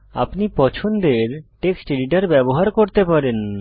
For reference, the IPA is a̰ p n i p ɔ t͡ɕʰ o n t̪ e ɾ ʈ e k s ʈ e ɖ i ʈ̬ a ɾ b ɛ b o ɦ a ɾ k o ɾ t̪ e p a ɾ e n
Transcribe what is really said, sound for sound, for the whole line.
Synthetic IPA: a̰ p n i p ɔ t͡ɕʰ o n d̪ e ɾ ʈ e k s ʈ e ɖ i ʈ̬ a ɾ b ɛ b o ɦ a ɾ k o ɾ t̪ e p a ɾ e n